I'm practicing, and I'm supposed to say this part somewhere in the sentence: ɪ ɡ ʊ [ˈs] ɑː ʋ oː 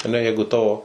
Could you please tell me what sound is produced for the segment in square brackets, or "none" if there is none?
t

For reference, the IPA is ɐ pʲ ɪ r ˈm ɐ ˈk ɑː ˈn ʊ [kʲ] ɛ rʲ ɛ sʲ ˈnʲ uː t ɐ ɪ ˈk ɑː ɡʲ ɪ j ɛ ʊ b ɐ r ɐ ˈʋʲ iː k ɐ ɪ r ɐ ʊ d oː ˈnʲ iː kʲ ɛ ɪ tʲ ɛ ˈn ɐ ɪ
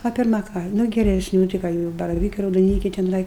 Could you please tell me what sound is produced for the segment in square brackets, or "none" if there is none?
ɡʲ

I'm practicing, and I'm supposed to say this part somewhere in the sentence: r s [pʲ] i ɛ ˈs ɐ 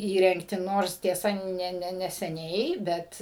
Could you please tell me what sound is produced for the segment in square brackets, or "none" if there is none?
tʲ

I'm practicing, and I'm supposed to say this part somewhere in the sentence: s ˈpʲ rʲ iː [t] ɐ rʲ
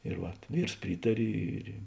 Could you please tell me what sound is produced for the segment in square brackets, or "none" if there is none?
t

